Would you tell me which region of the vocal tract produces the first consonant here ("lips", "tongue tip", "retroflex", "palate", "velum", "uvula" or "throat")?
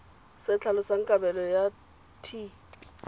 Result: tongue tip